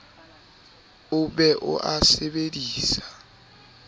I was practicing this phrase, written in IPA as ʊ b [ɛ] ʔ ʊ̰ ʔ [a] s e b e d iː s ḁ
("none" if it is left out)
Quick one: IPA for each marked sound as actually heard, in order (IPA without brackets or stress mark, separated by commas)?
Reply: ɛ, a